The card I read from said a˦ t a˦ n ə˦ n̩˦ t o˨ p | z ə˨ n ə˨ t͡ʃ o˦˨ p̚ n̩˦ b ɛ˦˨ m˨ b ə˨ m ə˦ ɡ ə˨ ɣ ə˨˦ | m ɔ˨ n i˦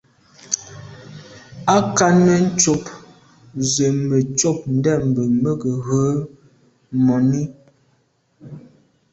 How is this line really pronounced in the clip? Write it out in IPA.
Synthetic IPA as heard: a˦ k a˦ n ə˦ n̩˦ t͡ʃ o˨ p | z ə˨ m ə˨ t͡ʃ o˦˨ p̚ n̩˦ d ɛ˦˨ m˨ b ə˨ m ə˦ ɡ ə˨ ɣ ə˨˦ | m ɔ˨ n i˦